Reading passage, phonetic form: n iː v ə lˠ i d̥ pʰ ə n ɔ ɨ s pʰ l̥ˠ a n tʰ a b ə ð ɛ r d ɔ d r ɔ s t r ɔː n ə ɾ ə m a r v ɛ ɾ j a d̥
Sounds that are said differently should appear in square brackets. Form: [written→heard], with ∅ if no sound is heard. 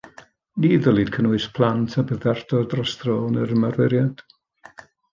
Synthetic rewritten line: n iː [v→ð] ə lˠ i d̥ [pʰ→kʰ] ə n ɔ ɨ s pʰ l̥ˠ a n tʰ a b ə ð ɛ r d ɔ d r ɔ s t r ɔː n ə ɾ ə m a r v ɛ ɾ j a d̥